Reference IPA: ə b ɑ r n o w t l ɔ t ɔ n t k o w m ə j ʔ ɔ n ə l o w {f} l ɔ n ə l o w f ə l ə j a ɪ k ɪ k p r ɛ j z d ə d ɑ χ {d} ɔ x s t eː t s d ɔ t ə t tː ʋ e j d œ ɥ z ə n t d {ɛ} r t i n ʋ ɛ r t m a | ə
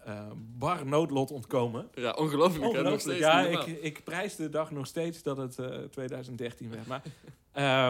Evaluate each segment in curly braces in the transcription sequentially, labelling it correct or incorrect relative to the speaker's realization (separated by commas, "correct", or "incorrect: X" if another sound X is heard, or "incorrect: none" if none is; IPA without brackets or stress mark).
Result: correct, incorrect: n, correct